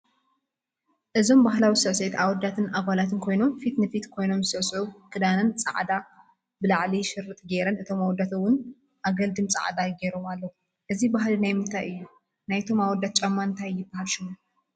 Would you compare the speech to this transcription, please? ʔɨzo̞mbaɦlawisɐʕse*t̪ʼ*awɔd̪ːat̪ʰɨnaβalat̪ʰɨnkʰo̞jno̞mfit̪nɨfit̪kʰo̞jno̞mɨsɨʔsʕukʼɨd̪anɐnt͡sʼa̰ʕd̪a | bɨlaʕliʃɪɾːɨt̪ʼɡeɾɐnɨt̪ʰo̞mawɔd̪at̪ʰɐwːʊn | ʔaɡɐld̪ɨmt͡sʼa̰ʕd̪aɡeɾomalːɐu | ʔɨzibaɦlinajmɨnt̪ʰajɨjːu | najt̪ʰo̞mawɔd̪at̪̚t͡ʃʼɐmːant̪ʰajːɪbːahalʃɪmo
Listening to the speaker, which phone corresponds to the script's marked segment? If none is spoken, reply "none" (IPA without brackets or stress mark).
t̪